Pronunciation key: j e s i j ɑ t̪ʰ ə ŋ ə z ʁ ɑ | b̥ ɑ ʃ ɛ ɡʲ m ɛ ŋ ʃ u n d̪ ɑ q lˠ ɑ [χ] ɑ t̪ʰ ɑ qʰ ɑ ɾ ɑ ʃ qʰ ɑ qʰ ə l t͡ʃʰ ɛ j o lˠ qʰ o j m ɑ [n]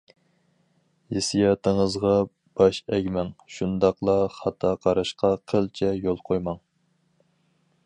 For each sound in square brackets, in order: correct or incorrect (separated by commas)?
correct, incorrect